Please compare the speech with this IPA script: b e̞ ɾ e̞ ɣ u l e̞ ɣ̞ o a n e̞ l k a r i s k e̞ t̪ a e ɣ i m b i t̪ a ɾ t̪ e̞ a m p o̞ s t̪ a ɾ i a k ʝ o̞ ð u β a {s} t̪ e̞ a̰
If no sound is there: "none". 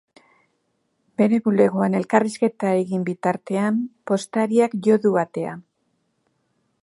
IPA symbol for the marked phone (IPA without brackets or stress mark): none